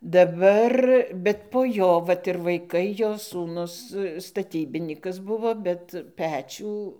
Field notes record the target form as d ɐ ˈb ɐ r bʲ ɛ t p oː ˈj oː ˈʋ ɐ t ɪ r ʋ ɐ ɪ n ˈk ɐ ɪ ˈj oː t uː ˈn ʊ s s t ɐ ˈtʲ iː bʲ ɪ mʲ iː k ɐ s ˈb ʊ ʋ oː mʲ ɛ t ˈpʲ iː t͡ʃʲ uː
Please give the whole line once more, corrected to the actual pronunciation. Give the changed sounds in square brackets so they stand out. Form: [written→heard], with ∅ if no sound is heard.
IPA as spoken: d ɐ ˈb ɐ r bʲ ɛ t p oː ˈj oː ˈʋ ɐ t ɪ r ʋ ɐ ɪ [n→∅] ˈk ɐ ɪ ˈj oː [t→s] uː ˈn ʊ s s t ɐ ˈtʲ iː bʲ ɪ [mʲ→nʲ] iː k ɐ s ˈb ʊ ʋ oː [mʲ→bʲ] ɛ t ˈpʲ [iː→æː] t͡ʃʲ uː